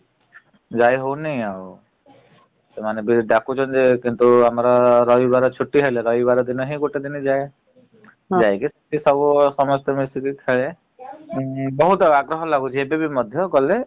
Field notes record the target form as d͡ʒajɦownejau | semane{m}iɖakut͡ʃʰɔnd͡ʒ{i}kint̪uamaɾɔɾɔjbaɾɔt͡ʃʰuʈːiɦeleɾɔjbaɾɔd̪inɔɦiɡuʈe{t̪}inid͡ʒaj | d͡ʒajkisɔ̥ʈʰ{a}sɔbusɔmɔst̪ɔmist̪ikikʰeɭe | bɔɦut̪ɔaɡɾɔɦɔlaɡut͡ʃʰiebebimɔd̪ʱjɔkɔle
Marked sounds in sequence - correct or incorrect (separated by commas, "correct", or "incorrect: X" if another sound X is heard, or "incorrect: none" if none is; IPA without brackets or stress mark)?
incorrect: b, incorrect: e, incorrect: d̪, incorrect: i